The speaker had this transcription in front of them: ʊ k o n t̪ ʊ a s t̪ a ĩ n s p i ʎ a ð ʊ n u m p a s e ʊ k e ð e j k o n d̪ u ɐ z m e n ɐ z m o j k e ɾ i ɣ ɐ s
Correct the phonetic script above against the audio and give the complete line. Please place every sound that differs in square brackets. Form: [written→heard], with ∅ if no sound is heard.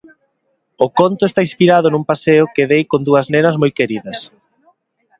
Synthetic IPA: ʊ k o n t̪ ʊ [a→e] s t̪ a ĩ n s p i [ʎ→ɾ] a ð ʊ n u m p a s e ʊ k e ð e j k o n d̪ u ɐ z [m→n] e n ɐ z m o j k e ɾ i [ɣ→ð] ɐ s